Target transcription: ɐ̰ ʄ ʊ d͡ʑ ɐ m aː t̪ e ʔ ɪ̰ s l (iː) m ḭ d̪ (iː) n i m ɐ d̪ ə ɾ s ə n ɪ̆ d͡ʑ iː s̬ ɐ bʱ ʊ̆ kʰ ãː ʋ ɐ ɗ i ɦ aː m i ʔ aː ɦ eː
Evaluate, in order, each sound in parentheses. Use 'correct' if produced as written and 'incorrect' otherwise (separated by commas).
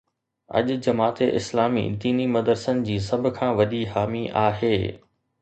incorrect, correct